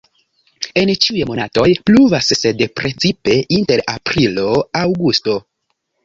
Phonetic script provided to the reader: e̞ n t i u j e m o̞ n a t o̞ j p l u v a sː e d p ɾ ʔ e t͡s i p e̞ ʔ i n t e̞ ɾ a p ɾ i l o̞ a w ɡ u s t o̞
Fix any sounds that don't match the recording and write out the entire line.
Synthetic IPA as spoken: e̞ n t͡ʃ i u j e m o̞ n a t o̞ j p l u v a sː e d p ɾ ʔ e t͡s i p e̞ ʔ i n t e̞ ɾ a p ɾ i l o̞ a w ɡ u s t o̞